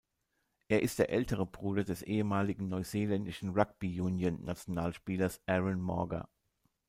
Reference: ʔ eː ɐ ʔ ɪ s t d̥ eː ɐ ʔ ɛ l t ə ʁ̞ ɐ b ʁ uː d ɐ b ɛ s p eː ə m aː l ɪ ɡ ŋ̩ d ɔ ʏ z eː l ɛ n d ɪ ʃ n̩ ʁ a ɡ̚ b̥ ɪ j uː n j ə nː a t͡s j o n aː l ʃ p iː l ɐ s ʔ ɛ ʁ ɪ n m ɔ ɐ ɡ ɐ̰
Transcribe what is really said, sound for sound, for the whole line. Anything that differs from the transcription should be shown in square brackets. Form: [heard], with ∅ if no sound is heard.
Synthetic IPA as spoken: ʔ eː ɐ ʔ ɪ s t d̥ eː ɐ ʔ ɛ l t ə ʁ̞ [ə] b ʁ uː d ɐ [d] ɛ s [ʔ] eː ə m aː l ɪ ɡ ŋ̩ [n] ɔ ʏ z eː l ɛ n d ɪ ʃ n̩ ʁ a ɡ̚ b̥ [i] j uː n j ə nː a t͡s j o n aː l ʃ p iː l ɐ s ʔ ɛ ʁ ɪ n m ɔ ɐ ɡ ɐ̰